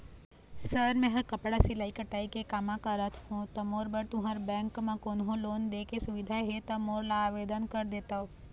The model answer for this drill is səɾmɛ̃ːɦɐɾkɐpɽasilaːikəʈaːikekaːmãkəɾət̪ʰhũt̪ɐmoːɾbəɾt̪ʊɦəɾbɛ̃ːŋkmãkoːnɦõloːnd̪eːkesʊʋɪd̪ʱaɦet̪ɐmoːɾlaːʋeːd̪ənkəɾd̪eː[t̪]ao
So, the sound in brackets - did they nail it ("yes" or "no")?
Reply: yes